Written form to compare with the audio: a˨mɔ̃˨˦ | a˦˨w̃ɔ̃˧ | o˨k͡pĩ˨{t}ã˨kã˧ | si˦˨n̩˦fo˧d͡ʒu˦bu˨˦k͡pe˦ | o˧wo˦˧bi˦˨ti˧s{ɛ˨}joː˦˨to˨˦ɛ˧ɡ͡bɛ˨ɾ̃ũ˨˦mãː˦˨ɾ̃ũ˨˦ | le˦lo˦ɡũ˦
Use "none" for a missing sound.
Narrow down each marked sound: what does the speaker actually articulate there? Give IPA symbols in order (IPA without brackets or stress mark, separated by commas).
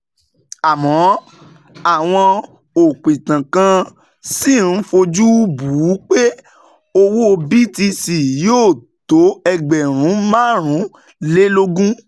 t, i˨